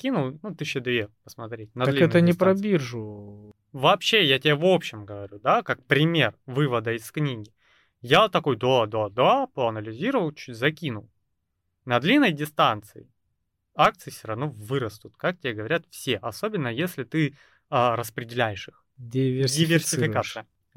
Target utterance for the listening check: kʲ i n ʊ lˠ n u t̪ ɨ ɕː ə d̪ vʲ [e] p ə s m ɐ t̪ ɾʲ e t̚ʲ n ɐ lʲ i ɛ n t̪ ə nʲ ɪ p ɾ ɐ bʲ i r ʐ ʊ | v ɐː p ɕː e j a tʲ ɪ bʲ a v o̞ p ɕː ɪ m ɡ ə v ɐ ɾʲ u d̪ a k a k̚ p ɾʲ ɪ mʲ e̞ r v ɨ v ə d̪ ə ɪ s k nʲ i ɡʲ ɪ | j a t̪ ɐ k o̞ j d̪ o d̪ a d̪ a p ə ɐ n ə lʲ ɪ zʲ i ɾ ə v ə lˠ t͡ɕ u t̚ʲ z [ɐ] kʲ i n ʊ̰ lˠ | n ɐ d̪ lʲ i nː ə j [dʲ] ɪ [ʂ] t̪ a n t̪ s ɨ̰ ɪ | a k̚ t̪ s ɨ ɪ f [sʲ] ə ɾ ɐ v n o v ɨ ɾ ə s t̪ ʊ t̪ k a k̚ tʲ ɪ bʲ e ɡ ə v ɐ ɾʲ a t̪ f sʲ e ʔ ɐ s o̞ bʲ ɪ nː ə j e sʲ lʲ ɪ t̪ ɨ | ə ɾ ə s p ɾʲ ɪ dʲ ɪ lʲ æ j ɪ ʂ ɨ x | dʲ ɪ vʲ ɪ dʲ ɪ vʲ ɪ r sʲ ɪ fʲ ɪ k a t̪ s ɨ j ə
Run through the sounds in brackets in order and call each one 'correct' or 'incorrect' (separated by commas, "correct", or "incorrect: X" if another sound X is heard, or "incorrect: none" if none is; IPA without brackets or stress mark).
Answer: correct, correct, correct, incorrect: s, correct